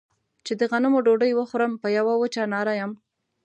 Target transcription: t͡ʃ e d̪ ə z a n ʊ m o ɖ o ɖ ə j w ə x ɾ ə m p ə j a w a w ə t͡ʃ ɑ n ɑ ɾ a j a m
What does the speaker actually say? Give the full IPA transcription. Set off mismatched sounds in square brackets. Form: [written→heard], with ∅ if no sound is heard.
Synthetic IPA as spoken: t͡ʃ e d̪ ə [z→ɣ] a n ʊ m o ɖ o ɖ ə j w ə x ɾ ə m p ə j a w a w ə t͡ʃ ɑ n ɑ ɾ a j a m